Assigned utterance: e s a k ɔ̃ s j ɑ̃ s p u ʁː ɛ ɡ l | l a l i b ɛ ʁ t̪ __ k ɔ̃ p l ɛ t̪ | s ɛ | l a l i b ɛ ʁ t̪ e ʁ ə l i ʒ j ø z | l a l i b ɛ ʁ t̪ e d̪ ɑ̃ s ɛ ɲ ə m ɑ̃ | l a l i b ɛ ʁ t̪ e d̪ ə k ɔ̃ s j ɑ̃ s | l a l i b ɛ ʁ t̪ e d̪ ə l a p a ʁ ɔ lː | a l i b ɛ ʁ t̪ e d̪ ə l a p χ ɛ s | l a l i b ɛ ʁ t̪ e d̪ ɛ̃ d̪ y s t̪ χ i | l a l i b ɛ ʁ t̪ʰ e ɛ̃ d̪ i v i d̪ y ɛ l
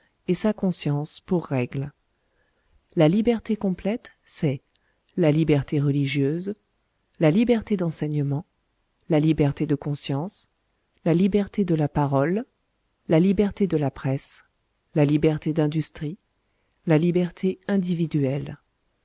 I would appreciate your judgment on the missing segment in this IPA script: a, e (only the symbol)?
e